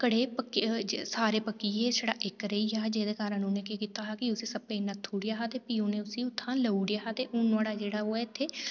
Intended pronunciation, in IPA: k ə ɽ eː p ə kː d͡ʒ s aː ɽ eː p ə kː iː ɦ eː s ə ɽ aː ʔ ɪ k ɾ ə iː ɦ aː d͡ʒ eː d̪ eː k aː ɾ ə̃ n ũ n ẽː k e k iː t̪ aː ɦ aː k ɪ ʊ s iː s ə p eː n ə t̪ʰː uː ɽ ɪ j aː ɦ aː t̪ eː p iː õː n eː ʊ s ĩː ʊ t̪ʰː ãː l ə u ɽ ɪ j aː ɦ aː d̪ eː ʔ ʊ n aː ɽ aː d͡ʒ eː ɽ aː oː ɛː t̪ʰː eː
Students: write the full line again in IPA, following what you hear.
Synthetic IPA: k ə ɽ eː p ə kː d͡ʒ s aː ɾ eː p ə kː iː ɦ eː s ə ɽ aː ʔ ɪ k ɾ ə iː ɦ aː d͡ʒ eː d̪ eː k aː ɾ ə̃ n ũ n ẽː k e k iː t̪ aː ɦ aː k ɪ ʊ s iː s ə p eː n ə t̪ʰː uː ɽ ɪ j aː ɦ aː t̪ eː p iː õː n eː ʊ s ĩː ʊ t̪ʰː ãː l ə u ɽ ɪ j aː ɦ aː t̪ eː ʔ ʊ n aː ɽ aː d͡ʒ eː ɽ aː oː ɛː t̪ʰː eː